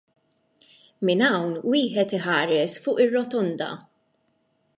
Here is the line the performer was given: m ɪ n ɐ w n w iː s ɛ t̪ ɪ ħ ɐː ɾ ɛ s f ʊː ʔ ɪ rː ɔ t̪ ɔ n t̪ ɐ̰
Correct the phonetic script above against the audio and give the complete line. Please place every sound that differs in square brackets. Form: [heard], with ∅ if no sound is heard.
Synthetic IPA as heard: m ɪ n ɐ w n w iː [ħ] ɛ t̪ ɪ ħ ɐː ɾ ɛ s f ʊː ʔ ɪ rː ɔ t̪ ɔ n [d̪] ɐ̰